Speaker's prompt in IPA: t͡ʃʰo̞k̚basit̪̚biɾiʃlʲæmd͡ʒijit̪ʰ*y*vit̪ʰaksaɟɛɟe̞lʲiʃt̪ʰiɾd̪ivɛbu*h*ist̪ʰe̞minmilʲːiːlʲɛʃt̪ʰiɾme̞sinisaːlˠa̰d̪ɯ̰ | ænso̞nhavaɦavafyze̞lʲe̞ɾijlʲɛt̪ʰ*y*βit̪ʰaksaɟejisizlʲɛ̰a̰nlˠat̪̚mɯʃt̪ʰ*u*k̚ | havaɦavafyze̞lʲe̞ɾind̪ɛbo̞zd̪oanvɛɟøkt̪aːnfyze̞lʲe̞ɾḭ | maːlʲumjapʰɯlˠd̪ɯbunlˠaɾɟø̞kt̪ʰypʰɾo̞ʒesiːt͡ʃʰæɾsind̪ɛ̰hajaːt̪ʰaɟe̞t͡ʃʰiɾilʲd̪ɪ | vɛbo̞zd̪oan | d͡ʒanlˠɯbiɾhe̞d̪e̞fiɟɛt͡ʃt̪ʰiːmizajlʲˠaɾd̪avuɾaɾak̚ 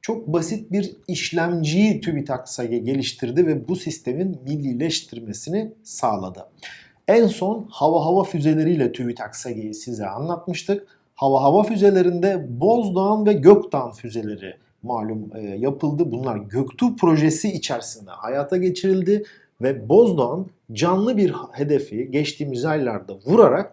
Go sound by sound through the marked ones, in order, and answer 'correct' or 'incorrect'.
correct, incorrect: s, correct, incorrect: ɯ

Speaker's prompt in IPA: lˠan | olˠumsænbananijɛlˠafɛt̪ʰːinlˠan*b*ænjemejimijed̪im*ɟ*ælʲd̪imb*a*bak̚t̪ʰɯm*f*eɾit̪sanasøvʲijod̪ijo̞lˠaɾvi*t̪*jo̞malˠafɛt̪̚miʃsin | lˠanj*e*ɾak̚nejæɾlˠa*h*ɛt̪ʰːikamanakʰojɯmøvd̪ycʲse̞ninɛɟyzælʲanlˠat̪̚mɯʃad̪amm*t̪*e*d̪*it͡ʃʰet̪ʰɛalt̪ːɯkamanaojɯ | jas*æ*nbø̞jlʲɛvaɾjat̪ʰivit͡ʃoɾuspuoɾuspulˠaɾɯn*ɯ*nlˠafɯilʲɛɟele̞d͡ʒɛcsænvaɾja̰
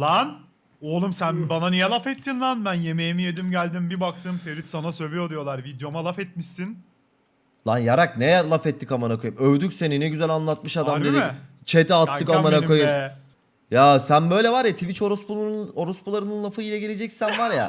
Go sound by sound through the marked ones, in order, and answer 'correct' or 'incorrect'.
correct, correct, incorrect: i, correct, incorrect: d̪, incorrect: a, incorrect: f, incorrect: d̪, correct, correct, correct

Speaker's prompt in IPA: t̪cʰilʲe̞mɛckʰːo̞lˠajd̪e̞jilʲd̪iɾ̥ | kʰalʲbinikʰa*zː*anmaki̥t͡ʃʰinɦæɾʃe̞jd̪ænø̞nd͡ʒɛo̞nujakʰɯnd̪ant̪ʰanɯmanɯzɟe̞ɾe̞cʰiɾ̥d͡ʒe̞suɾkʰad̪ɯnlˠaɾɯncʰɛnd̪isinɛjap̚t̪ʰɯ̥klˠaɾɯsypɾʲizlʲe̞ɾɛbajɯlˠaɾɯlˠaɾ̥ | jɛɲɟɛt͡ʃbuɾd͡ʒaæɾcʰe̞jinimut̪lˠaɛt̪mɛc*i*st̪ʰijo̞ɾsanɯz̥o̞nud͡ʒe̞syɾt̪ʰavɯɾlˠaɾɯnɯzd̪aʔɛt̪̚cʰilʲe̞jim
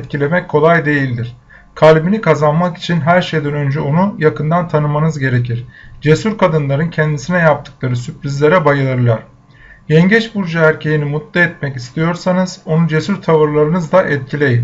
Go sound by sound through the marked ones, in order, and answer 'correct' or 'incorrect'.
incorrect: z, correct

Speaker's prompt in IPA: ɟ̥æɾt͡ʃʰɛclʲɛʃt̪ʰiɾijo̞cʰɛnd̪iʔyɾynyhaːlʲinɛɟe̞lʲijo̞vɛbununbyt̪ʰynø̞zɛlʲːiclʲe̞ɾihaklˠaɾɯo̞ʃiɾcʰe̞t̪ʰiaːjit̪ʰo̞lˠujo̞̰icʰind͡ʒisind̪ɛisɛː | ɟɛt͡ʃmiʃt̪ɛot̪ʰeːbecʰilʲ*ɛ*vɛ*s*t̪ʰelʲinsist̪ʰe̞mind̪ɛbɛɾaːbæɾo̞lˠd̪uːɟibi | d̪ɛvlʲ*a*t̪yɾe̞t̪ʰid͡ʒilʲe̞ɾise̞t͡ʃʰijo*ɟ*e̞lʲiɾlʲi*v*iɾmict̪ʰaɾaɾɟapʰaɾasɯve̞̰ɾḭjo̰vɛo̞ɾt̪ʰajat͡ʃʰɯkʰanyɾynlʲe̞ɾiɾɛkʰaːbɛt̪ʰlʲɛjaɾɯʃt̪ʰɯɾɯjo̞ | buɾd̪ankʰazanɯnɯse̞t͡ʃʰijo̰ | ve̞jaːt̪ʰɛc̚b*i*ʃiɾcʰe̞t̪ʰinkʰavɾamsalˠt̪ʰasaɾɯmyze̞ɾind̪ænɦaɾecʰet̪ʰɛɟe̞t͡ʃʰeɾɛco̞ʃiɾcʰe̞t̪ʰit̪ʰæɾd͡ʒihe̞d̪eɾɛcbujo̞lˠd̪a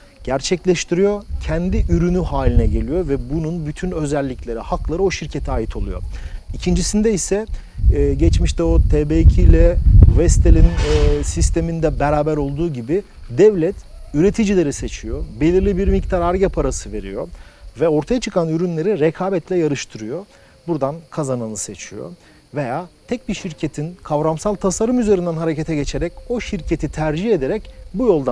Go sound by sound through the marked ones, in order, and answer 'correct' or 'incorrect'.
correct, correct, incorrect: ɛ, incorrect: b, incorrect: b, correct

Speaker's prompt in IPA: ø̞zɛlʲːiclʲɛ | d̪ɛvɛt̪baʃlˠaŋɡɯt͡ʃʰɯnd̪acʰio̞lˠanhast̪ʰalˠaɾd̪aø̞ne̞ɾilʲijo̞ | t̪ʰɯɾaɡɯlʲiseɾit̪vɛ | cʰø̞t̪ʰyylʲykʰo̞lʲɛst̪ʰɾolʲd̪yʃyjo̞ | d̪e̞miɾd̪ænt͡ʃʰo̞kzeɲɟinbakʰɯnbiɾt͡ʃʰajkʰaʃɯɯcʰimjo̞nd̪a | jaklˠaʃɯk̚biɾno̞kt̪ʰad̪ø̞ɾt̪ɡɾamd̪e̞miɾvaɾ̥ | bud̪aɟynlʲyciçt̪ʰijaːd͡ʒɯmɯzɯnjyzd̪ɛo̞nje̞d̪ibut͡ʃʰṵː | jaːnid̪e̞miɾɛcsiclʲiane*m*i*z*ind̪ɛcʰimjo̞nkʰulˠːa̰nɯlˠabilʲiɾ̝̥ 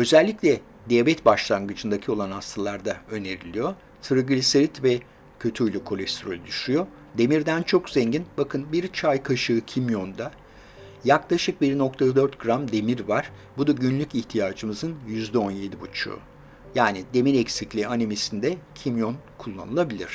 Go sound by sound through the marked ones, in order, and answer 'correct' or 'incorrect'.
correct, incorrect: s

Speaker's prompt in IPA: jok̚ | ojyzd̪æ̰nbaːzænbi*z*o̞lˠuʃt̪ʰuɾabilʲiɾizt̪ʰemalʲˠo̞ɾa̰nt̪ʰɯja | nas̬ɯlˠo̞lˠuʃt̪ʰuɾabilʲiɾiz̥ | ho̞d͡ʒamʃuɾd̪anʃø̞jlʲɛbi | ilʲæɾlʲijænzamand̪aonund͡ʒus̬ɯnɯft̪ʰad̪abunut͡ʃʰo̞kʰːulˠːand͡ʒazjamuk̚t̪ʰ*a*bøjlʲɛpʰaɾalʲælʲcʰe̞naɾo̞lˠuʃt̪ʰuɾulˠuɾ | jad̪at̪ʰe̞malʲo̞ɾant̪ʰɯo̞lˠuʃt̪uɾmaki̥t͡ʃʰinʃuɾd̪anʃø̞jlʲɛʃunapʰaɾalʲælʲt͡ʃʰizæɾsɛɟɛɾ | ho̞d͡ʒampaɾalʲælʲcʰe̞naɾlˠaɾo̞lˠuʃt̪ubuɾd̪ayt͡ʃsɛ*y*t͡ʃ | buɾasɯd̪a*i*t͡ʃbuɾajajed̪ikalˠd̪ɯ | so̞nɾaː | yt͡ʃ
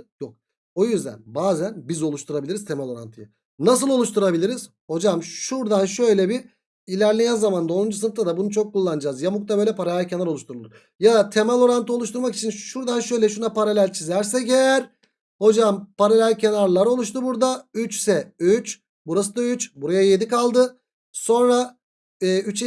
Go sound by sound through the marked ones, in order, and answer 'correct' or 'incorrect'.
correct, correct, correct, incorrect: y

